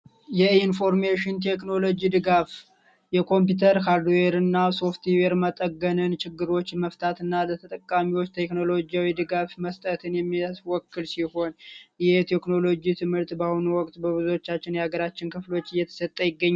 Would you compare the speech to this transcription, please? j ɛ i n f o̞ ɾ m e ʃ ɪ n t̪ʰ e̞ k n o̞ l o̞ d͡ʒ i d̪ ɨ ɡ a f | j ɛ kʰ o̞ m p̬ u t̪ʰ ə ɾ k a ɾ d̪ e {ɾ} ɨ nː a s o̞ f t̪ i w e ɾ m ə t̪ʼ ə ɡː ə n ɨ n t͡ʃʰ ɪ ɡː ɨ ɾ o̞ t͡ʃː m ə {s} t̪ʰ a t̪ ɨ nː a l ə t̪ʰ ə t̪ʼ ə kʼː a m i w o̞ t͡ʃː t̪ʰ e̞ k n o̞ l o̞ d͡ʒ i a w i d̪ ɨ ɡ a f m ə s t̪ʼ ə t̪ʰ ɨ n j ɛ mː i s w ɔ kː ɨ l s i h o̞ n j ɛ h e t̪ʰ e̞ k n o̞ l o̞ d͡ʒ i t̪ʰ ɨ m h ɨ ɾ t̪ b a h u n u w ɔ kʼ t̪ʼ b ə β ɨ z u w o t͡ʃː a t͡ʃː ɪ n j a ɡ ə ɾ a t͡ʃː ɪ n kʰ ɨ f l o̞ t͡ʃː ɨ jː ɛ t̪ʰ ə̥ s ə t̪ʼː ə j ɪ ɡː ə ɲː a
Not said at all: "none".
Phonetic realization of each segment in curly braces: ɾ, f

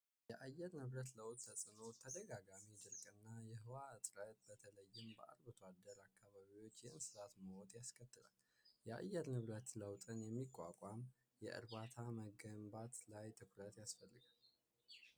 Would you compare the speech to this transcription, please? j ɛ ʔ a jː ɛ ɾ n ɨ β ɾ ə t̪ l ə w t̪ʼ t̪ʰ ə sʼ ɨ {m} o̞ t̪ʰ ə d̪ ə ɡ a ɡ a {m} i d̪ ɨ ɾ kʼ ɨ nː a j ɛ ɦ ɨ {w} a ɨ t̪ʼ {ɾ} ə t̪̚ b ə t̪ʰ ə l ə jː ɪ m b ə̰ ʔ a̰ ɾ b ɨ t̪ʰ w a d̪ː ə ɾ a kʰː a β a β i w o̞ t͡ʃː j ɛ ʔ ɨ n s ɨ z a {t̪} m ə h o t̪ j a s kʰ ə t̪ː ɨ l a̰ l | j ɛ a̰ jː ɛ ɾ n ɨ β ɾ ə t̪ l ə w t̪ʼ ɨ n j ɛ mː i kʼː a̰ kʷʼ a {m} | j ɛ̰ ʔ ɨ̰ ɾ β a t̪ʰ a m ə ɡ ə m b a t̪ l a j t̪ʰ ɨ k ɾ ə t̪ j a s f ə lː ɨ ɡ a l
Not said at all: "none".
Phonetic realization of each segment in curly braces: n, m, w, ɾ, t̪, m

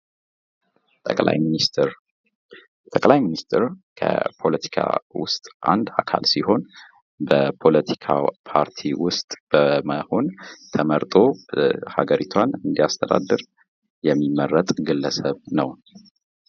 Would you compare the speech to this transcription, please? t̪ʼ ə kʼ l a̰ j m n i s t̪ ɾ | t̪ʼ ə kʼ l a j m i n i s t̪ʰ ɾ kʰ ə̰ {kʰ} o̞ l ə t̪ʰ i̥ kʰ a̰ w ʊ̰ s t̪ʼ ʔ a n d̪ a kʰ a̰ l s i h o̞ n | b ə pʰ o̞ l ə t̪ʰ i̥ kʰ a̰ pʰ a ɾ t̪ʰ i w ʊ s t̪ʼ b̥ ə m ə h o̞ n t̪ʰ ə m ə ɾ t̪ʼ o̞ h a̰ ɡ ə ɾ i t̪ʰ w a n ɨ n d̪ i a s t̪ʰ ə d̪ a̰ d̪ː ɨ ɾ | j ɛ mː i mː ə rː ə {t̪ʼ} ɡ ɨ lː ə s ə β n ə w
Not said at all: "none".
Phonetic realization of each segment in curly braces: pʰ, t̪ʼ

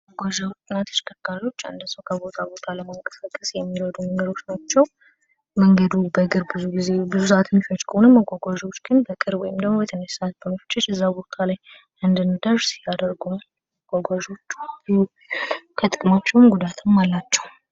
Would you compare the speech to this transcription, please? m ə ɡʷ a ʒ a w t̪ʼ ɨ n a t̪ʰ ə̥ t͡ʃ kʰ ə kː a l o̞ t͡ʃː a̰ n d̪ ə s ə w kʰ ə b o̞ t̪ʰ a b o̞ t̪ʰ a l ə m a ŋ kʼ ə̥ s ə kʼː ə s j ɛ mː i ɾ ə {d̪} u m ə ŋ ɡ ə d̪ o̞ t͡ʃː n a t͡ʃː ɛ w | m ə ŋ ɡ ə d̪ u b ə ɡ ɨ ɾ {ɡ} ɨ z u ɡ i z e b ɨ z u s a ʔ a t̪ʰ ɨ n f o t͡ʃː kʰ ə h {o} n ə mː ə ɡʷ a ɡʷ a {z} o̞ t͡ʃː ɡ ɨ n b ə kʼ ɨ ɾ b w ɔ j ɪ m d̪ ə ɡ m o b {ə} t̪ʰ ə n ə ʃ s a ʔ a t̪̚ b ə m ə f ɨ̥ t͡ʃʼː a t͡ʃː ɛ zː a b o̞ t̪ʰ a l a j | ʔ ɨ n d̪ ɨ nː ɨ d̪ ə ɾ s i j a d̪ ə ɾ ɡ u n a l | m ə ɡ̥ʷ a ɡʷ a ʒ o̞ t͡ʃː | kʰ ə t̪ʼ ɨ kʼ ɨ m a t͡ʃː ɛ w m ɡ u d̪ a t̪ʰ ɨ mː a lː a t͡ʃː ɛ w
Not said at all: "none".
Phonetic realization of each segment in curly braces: d̪, b, o, ʒ, ə

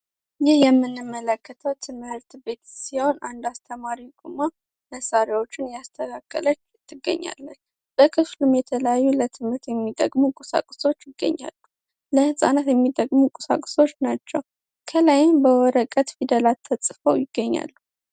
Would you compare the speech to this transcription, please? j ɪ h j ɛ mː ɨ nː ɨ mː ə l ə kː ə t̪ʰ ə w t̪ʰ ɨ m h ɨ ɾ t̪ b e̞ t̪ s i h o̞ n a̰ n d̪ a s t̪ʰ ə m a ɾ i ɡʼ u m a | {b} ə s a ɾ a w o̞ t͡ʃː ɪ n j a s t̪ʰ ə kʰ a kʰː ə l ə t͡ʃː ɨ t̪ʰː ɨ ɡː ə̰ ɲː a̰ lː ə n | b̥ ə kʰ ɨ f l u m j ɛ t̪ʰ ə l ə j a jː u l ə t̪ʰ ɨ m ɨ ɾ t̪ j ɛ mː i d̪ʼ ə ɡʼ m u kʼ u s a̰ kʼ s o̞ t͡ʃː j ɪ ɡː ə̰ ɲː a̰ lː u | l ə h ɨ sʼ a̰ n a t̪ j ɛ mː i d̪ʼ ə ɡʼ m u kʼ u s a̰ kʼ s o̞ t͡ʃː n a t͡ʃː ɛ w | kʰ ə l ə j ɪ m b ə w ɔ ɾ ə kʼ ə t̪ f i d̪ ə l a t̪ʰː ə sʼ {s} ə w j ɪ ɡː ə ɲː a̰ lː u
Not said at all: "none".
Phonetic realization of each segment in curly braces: m, f

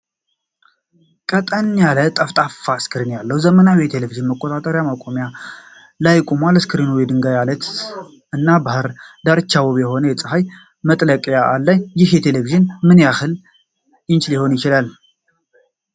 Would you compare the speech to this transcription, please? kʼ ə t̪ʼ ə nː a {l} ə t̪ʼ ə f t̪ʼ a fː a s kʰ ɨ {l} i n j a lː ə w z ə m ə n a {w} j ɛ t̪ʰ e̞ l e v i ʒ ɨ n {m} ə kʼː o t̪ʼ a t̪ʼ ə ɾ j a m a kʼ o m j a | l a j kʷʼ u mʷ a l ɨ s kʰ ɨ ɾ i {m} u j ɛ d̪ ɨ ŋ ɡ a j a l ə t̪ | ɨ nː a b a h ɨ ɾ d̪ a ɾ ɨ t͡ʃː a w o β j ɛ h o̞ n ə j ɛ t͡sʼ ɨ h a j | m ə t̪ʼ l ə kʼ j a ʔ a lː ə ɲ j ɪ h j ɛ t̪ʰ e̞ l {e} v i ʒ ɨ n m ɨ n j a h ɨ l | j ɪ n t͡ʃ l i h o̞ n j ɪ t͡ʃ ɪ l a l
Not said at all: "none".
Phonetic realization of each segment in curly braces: l, ɾ, w, m, n, e

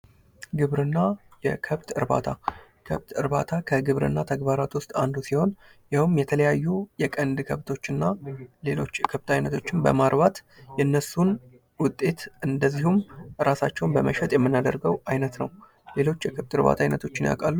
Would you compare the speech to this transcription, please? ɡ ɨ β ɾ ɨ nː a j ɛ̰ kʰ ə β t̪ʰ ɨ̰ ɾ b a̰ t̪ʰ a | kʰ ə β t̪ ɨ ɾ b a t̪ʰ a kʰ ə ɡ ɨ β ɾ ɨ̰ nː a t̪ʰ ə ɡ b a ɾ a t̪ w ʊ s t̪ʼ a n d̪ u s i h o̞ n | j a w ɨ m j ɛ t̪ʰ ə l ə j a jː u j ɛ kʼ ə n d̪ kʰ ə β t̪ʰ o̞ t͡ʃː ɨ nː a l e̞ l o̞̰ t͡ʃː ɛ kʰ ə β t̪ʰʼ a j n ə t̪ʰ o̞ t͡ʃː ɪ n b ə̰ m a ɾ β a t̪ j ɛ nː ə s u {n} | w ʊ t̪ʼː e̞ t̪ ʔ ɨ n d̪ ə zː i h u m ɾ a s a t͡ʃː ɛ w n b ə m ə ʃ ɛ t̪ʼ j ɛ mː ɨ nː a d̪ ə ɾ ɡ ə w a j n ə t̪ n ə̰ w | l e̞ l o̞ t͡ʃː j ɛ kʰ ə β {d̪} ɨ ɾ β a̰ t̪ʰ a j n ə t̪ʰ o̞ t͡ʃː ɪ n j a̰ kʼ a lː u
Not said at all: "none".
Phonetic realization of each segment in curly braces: n, t̪

